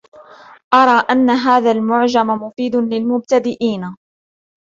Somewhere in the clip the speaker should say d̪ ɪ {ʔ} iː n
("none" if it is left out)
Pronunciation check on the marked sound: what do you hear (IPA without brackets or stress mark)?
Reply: ʔ